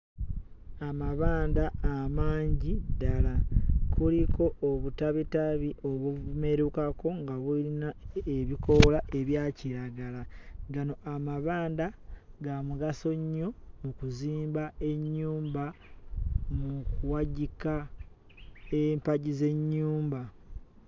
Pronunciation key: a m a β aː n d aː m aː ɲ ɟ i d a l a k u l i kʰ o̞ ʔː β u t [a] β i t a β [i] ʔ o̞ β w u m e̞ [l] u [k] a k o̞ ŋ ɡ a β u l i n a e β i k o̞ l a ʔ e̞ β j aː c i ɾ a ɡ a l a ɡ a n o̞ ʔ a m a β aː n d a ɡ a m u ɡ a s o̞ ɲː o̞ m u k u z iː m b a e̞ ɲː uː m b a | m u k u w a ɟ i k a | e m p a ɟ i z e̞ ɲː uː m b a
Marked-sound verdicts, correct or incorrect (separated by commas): correct, correct, incorrect, correct